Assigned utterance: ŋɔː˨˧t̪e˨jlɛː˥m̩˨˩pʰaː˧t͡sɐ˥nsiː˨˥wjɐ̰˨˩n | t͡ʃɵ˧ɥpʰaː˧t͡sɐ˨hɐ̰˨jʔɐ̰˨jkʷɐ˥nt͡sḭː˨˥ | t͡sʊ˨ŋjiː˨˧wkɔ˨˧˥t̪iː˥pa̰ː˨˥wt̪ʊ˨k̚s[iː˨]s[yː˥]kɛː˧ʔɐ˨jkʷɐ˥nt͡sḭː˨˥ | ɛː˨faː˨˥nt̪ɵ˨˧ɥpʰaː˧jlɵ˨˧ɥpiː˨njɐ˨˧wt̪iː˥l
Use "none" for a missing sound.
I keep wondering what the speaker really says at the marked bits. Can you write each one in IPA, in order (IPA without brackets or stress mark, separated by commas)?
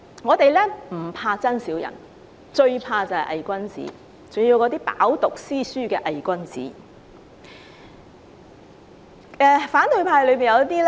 iː˥, yː˥